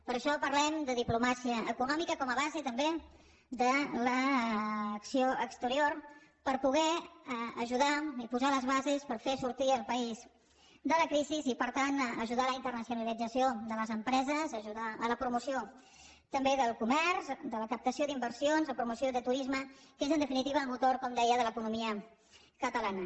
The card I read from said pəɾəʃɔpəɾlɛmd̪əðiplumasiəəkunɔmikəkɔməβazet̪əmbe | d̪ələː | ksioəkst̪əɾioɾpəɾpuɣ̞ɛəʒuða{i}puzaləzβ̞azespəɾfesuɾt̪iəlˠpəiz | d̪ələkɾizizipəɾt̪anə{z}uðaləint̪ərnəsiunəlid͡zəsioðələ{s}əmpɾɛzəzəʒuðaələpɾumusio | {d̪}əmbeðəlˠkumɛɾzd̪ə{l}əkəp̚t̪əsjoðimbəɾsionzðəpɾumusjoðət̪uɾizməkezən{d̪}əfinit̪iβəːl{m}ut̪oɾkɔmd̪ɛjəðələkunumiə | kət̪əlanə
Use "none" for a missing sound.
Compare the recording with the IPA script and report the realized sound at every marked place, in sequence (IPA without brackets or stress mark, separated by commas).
i, ʒ, z, t̪, l, d̪, m